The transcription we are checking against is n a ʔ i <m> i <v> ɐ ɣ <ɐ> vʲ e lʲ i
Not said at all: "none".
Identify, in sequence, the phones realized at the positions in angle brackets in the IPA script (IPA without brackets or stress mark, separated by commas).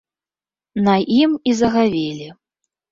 m, z, a